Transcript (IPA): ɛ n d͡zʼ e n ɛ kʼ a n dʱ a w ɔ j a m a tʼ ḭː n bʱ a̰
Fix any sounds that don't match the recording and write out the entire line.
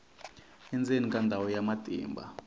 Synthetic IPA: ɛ n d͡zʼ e n i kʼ a n dʱ a w ɔ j a m a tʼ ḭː m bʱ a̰